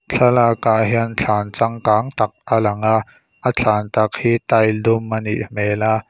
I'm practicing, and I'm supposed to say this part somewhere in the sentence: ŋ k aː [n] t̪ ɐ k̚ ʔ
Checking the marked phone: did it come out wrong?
yes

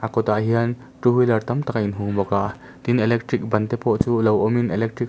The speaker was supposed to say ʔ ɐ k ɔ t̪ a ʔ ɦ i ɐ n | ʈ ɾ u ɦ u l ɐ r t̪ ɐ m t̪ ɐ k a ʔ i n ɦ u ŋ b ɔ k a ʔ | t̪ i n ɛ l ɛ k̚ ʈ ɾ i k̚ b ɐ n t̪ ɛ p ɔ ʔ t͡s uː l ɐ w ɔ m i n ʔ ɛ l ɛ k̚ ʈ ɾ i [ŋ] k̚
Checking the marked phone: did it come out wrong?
yes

